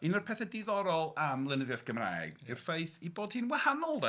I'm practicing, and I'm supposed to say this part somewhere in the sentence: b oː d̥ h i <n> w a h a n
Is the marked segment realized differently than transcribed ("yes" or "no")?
no